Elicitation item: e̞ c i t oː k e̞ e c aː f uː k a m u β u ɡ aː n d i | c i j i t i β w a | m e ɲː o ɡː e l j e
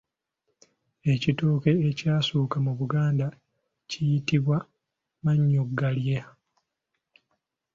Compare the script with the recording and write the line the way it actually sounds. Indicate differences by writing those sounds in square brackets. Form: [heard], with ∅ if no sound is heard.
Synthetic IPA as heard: e̞ c i t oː k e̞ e c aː [s] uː k a m u β u ɡ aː n d [a] | c i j i t i β w a | m [a] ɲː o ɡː [a] l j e